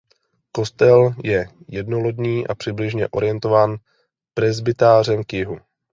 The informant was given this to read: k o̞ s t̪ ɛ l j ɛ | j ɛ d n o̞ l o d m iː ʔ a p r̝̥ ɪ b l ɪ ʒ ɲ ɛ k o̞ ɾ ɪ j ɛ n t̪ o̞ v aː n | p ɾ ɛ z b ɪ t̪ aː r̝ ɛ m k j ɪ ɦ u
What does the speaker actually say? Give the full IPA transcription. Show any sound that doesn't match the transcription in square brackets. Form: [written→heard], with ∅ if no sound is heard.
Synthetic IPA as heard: k o̞ s t̪ ɛ l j ɛ | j ɛ d n o̞ l o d [m→ɲ] iː ʔ a p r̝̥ ɪ b l ɪ ʒ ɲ ɛ [k→ʔ] o̞ ɾ ɪ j ɛ n t̪ o̞ v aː n | p ɾ ɛ z b ɪ t̪ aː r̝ ɛ m k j ɪ ɦ u